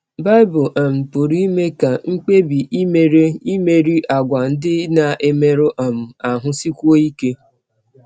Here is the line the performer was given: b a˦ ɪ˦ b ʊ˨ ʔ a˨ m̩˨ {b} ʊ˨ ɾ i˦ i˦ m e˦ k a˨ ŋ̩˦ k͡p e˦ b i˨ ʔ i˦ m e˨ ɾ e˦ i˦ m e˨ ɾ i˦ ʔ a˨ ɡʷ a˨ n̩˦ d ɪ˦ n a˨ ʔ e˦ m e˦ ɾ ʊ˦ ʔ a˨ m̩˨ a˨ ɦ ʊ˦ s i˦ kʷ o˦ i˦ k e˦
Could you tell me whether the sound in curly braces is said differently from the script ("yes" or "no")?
yes